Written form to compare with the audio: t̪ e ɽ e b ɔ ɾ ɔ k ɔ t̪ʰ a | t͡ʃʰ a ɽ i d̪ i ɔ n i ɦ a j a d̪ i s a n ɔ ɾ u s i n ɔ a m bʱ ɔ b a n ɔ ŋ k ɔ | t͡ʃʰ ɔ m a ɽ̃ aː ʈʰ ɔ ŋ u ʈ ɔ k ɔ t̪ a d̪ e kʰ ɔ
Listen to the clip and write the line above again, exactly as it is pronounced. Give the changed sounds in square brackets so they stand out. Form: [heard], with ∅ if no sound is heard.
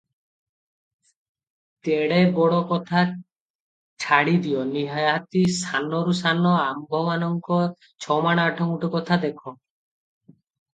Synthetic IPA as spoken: t̪ e ɽ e b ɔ [ɽ] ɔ k ɔ t̪ʰ a | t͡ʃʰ a ɽ i d̪ i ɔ n i ɦ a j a [t̪] i s a n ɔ ɾ u s [a] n ɔ a m bʱ ɔ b a n ɔ ŋ k ɔ | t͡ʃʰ ɔ m a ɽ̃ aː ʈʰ ɔ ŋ u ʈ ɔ k ɔ [t̪ʰ] a d̪ e kʰ ɔ

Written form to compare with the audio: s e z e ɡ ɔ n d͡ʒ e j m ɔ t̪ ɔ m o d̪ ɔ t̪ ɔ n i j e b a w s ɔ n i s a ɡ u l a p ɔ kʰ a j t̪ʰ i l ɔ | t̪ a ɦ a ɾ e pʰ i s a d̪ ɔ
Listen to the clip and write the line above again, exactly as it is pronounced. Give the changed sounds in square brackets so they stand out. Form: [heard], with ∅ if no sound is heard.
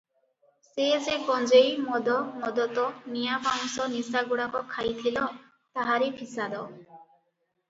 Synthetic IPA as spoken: s e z e ɡ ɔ n d͡ʒ e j m ɔ [d̪] ɔ m [ɔ] d̪ ɔ t̪ ɔ n i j [a] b a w s ɔ n i s a ɡ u [ɽ] a [k] ɔ kʰ a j t̪ʰ i l ɔ | t̪ a ɦ a ɾ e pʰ i s a d̪ ɔ

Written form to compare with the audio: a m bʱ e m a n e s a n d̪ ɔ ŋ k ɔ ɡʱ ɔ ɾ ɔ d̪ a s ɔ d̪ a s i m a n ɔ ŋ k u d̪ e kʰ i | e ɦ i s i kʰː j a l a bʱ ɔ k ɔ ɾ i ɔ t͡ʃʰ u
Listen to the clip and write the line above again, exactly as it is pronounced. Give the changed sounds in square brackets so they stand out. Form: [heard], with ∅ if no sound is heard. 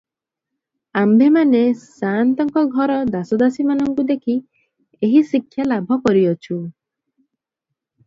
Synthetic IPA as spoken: a m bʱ e m a n e s a n [t̪] ɔ ŋ k ɔ ɡʱ ɔ ɾ ɔ d̪ a s ɔ d̪ a s i m a n ɔ ŋ k u d̪ e kʰ i | e ɦ i s i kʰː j a l a bʱ ɔ k ɔ ɾ i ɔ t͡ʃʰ u

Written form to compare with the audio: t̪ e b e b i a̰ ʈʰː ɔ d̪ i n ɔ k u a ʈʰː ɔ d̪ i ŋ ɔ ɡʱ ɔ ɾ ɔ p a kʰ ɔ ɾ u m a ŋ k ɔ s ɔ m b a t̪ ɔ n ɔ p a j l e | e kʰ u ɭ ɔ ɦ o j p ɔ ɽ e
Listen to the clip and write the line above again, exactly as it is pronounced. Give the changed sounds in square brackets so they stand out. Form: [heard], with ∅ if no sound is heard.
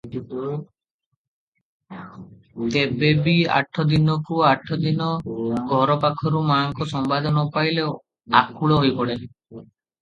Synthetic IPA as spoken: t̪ e b e b i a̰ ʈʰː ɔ d̪ i n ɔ k u a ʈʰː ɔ d̪ i [n] ɔ ɡʱ ɔ ɾ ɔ p a kʰ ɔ ɾ u m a ŋ k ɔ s ɔ m b a [d̪] ɔ n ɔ p a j l e | [a] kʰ u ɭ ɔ ɦ o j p ɔ ɽ e

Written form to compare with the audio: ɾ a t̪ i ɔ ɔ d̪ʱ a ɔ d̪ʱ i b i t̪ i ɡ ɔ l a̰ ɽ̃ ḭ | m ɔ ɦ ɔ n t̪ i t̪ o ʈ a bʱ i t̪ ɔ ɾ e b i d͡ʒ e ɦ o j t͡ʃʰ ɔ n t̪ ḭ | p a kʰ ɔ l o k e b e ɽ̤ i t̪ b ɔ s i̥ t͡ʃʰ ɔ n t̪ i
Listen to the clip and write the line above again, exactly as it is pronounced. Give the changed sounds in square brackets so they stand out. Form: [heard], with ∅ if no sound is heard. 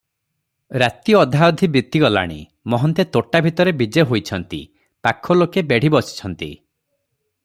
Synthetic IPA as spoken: ɾ a t̪ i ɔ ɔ d̪ʱ a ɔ d̪ʱ i b i t̪ i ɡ ɔ l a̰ ɽ̃ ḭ | m ɔ ɦ ɔ n t̪ [e] t̪ o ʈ a bʱ i t̪ ɔ ɾ e b i d͡ʒ e ɦ o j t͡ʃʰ ɔ n t̪ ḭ | p a kʰ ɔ l o k e b e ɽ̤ i [∅] b ɔ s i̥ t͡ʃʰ ɔ n t̪ i

